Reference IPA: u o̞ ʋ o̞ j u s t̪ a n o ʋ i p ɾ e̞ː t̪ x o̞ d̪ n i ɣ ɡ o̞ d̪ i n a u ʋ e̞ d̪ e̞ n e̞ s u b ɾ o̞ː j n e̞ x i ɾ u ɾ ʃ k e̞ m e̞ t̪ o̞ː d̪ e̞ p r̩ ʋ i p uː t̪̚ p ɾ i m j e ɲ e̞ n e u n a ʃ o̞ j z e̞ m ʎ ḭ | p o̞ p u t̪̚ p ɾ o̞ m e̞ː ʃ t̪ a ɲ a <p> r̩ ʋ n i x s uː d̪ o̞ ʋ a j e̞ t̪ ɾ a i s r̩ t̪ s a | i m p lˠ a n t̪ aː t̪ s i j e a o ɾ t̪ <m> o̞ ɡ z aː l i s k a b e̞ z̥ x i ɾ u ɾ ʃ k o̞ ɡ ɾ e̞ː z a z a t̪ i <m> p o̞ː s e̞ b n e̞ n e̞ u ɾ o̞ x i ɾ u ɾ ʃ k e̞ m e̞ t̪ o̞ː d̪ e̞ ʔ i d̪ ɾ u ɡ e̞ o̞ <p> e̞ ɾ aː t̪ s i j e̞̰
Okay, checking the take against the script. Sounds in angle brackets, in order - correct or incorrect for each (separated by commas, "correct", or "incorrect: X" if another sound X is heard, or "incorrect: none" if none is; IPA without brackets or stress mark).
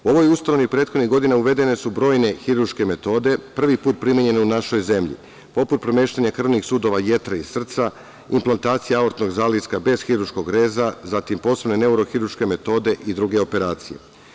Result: incorrect: k, incorrect: n, correct, correct